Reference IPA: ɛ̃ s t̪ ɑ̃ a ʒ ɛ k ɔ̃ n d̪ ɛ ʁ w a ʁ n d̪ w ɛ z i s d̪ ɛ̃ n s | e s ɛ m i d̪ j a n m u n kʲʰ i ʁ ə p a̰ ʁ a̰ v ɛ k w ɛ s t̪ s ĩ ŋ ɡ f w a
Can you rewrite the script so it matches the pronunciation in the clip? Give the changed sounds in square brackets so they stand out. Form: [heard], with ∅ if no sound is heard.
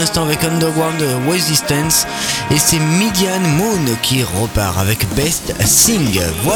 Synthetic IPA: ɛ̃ s t̪ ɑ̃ a [v] ɛ k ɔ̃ n d̪ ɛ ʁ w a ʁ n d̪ w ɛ z i s [t̪] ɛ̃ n s | e s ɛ m i d̪ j a n m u n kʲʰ i ʁ ə p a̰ ʁ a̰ v ɛ k [b] ɛ s t̪ s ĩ ŋ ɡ [v] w a